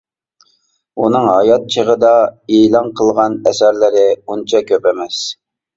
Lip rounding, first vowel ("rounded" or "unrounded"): rounded